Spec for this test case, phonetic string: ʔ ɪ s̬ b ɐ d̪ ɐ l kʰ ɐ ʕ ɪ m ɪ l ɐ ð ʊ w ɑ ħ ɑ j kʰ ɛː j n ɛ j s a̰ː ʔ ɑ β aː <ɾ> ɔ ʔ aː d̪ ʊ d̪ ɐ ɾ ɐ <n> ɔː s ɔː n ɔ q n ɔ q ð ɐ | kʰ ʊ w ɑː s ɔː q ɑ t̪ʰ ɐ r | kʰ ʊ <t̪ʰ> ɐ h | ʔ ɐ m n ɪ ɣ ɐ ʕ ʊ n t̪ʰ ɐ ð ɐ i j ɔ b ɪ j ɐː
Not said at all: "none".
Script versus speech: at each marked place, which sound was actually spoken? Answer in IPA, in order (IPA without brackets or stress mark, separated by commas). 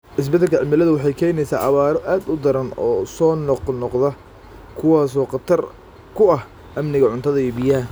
ɾ, n, none